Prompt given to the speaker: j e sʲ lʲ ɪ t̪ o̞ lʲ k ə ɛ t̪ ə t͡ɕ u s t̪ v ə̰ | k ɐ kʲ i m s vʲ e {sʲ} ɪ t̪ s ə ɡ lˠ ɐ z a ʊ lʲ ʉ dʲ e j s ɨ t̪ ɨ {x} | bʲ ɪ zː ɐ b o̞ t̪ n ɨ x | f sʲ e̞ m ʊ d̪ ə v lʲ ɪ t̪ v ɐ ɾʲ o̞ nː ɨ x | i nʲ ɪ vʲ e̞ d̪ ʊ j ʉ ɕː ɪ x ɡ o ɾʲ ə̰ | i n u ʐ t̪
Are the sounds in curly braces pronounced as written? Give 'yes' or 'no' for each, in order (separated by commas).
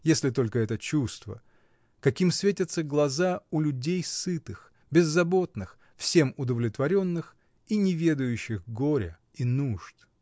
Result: no, yes